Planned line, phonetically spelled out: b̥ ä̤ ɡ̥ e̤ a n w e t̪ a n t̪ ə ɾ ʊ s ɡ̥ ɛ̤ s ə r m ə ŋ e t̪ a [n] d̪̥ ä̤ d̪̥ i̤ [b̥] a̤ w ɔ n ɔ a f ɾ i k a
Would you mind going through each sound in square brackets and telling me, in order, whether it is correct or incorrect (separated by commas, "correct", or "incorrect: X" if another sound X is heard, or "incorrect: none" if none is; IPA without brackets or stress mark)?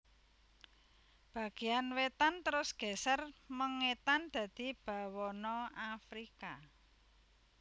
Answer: correct, correct